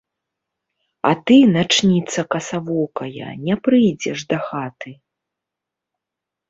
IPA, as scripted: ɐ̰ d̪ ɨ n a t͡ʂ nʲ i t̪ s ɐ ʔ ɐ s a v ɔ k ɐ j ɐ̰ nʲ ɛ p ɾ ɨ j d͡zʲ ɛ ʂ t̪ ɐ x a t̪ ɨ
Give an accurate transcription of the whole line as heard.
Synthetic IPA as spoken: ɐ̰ t̪ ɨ n a t͡ʂ nʲ i t̪ s ɐ k ɐ s a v ɔ k ɐ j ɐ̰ nʲ ɛ p ɾ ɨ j d͡zʲ ɛ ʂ d̪ ɐ x a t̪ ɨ